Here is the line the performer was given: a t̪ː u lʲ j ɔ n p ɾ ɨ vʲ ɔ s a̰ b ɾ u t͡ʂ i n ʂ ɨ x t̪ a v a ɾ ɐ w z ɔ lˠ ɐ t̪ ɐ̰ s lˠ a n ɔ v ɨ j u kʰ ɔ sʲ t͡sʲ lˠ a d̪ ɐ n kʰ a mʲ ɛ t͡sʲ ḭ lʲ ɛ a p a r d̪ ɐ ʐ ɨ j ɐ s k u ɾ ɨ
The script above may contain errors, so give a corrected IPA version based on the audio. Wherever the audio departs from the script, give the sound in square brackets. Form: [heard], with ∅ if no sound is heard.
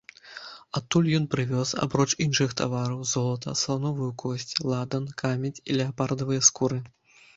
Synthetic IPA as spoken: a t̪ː u lʲ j ɔ n p ɾ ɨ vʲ ɔ s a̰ b ɾ [ɔ] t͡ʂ i n ʂ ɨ x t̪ a v a ɾ ɐ w z ɔ lˠ ɐ t̪ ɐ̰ s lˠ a n ɔ v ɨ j u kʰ ɔ sʲ t͡sʲ lˠ a d̪ ɐ n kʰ a mʲ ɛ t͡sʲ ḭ lʲ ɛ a p a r d̪ ɐ [v] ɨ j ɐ s k u ɾ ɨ